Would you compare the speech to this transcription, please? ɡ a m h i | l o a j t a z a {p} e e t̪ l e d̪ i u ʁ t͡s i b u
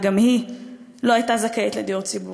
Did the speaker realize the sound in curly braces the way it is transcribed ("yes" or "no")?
no